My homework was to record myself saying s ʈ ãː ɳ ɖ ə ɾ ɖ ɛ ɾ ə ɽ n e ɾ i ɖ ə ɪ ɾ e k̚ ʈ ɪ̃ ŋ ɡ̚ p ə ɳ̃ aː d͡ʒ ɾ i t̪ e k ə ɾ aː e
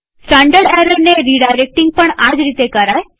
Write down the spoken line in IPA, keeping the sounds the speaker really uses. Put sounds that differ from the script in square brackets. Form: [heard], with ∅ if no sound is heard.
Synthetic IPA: s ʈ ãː ɳ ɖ ə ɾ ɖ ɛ ɾ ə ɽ n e ɾ i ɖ [a] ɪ ɾ e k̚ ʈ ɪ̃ ŋ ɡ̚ p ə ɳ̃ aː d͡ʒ ɾ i t̪ e k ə ɾ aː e